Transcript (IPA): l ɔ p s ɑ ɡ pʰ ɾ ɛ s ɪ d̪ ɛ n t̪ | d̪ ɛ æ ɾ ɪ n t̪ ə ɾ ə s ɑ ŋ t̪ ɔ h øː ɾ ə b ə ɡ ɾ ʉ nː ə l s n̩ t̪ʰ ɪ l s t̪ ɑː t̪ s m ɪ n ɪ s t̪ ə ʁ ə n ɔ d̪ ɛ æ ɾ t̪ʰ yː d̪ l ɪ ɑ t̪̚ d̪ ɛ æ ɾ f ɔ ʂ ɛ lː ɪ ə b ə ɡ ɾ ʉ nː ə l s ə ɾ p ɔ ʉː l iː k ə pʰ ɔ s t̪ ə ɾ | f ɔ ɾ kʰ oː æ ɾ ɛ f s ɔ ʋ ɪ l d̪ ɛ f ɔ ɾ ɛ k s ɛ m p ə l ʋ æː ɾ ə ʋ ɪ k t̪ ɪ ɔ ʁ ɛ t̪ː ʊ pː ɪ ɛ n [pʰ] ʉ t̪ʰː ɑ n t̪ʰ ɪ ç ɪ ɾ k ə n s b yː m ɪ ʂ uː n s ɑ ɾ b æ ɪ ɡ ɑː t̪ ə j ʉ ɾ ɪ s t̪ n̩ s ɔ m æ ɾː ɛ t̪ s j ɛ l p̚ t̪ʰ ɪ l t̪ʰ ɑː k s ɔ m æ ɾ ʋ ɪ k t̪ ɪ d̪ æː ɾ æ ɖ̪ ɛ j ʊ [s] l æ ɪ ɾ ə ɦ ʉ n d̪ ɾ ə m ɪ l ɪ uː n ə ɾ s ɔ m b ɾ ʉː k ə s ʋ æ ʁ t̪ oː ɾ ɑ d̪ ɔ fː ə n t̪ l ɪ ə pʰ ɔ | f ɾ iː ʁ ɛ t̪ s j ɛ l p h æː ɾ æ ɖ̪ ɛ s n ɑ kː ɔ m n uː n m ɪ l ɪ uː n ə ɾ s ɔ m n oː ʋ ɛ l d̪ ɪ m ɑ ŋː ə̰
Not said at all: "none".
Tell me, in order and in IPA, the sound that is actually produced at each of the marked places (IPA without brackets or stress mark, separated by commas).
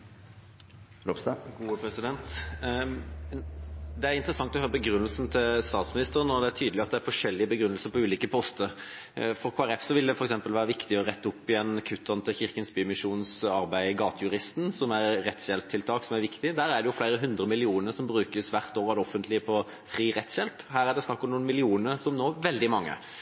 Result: kʰ, f